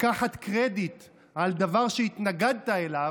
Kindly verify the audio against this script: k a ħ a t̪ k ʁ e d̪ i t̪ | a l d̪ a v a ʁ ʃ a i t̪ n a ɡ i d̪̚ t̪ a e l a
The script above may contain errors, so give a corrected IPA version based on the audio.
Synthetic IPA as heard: k a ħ a t̪ k ʁ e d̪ i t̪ | a l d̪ a v a ʁ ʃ e i t̪ n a ɡ a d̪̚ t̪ a e l a